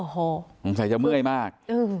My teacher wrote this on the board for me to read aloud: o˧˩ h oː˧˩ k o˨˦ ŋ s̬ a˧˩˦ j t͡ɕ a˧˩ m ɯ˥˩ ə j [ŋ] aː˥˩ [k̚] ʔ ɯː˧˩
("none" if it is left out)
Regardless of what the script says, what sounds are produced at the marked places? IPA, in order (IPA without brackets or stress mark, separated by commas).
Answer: m, k̚